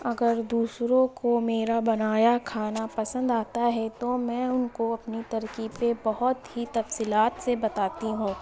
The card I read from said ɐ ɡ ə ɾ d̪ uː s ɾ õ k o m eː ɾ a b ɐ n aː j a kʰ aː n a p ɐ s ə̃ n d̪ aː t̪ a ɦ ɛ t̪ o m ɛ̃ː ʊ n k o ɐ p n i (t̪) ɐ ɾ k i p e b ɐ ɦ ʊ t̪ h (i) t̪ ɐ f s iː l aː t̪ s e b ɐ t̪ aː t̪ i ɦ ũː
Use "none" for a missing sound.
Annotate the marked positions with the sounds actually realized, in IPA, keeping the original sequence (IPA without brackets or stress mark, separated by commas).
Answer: t̪, i